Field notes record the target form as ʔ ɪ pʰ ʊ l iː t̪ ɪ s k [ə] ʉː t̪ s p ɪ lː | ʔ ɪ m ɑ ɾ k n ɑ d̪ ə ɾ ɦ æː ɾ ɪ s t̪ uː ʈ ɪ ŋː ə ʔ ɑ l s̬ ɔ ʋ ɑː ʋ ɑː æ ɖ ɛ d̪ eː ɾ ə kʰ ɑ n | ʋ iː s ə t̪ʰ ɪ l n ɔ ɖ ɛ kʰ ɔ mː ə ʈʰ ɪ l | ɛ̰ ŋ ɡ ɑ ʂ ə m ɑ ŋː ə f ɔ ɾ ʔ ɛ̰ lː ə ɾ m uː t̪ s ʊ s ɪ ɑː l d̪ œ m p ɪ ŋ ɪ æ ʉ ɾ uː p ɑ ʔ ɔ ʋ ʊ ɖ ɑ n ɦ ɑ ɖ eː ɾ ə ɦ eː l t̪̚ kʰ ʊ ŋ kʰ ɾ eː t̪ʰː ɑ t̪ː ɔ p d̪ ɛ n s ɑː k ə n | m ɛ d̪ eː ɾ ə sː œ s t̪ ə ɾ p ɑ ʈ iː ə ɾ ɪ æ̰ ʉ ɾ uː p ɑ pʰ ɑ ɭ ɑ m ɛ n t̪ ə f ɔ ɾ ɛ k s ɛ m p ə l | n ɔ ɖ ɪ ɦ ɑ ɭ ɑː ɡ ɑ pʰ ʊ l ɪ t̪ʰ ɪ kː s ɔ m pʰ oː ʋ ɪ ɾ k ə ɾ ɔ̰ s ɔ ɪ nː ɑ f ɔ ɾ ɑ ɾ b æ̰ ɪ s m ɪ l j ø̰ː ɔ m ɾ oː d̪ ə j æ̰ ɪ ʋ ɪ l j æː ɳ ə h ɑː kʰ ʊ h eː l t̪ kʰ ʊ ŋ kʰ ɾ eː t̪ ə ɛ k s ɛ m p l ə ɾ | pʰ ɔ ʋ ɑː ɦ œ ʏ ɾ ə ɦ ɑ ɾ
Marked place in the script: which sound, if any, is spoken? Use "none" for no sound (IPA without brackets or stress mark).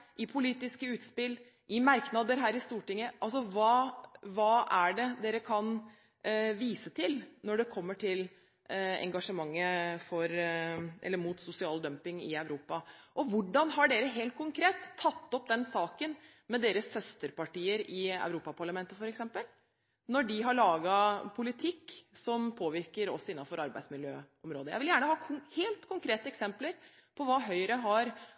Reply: ə